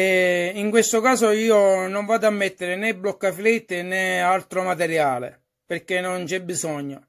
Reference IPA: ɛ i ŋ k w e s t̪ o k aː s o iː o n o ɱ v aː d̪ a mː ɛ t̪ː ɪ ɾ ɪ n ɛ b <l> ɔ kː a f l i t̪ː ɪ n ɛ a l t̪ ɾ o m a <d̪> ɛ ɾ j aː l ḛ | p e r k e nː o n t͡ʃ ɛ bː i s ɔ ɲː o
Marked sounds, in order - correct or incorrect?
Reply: correct, incorrect: t̪

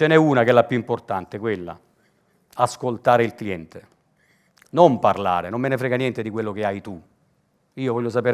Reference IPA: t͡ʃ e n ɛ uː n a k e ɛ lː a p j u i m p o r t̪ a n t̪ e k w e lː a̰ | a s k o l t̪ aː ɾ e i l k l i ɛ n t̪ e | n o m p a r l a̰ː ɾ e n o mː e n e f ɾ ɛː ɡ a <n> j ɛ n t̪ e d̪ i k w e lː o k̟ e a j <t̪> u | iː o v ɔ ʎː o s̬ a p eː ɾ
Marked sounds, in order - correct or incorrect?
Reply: correct, correct

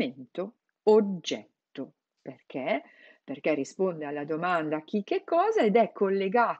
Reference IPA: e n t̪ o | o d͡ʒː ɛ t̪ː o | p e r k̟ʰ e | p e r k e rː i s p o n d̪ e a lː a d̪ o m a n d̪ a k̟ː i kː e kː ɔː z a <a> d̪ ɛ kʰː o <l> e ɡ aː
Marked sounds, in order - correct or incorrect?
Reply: incorrect: e, incorrect: lː

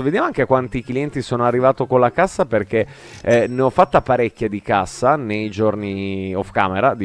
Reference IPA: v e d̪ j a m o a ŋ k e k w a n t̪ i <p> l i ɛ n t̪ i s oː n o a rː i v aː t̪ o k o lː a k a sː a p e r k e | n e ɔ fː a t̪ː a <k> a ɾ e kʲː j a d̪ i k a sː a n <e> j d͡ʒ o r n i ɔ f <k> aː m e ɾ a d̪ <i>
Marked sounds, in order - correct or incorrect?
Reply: incorrect: k, incorrect: p, correct, correct, correct

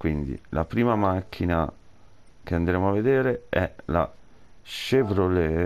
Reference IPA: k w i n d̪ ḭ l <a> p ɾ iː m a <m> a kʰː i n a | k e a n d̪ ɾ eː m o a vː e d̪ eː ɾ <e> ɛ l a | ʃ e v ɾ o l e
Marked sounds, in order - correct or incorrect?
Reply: correct, correct, correct

